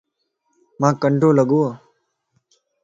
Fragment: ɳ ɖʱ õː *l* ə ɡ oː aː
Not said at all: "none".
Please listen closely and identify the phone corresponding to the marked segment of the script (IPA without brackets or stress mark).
l